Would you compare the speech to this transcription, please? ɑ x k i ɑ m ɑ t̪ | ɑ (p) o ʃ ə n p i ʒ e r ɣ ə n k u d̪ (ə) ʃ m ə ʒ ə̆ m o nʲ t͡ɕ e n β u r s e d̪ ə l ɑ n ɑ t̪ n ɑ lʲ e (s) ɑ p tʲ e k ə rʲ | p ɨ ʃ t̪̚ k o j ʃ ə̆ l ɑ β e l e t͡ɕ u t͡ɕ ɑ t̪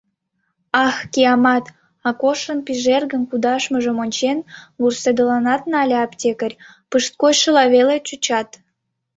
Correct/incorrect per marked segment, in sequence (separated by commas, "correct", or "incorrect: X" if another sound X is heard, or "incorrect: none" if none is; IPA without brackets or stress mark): incorrect: k, incorrect: ɑ, incorrect: none